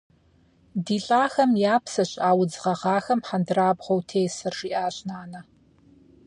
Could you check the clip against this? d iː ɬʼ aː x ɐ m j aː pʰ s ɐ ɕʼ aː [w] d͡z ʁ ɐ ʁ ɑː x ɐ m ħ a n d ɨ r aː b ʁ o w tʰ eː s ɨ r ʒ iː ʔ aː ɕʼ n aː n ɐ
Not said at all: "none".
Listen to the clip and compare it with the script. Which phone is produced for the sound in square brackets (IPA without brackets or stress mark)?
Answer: w